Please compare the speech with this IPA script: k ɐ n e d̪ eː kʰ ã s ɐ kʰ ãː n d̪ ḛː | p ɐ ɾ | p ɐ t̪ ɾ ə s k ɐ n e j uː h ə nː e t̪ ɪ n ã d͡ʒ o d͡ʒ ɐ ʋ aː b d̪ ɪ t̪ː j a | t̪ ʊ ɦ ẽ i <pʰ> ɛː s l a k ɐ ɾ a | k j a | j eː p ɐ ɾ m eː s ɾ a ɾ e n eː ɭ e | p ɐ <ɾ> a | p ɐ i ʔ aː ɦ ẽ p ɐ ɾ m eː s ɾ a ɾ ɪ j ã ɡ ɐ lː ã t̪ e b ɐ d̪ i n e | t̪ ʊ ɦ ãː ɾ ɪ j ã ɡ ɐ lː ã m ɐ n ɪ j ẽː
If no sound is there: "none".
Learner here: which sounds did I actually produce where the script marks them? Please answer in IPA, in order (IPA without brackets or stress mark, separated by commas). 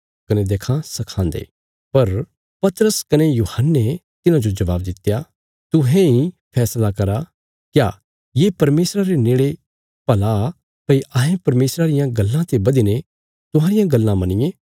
pʰ, l